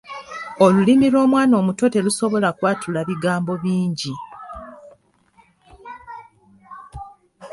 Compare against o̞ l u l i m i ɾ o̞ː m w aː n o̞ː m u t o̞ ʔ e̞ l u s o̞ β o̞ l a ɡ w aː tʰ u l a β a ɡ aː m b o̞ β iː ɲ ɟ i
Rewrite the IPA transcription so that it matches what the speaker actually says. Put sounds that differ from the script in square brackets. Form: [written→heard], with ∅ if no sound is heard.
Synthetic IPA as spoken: o̞ l u l i m i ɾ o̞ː m w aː n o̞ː m u t o̞ [ʔ→t] e̞ l u s o̞ β o̞ l a [ɡ→k] w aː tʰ u l a β [a→i] ɡ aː m b o̞ β iː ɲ ɟ i